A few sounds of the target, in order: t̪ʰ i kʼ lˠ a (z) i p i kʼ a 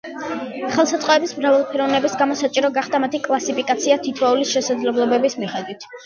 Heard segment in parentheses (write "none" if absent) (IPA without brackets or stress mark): s